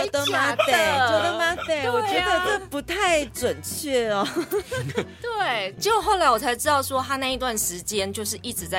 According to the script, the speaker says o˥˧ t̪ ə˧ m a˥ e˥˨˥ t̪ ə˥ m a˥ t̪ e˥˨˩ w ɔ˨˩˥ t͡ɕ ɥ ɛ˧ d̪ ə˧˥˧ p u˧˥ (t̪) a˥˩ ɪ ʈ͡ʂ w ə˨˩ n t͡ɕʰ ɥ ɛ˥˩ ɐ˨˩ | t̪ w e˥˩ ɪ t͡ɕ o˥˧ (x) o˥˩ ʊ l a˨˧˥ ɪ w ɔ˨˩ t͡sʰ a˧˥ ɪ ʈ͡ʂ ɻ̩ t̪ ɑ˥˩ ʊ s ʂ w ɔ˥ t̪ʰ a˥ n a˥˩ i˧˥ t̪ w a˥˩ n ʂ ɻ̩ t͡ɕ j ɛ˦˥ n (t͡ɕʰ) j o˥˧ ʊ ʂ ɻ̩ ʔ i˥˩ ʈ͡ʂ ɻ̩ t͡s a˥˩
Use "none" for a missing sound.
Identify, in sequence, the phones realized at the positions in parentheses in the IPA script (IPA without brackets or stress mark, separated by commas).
t̪ʰ, x, t͡ɕ